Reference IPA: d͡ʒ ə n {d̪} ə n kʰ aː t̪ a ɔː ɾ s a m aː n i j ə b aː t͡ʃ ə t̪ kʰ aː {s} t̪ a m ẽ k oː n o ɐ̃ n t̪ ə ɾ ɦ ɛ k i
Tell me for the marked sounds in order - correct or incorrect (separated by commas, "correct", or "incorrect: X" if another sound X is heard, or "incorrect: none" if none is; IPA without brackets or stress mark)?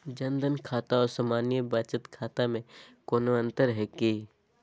correct, incorrect: none